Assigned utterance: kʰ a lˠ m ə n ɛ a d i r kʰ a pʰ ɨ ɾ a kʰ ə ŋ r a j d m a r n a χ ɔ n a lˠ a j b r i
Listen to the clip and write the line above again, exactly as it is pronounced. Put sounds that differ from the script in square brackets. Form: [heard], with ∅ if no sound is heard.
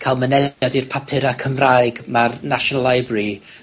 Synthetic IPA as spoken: kʰ a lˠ m ə n ɛ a d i r [pʰ] a pʰ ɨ ɾ a kʰ ə [m] r a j [ɡ] m a r n a [ʃ] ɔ n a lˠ a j b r i